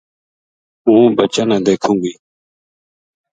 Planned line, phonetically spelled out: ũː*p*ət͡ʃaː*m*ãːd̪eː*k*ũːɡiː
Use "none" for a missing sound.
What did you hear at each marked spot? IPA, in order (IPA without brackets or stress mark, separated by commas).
b, n, kʰ